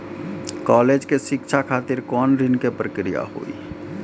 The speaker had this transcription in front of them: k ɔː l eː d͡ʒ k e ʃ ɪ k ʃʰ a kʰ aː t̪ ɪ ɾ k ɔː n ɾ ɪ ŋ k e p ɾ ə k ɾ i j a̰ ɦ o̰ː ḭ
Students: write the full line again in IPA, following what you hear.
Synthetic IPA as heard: k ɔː l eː d͡ʒ k e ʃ ɪ k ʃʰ a kʰ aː t̪ ɪ ɾ k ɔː n ɾ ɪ n k e p ɾ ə k ɾ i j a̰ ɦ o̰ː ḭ